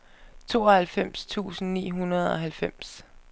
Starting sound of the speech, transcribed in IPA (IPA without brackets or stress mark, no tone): t͡sʰ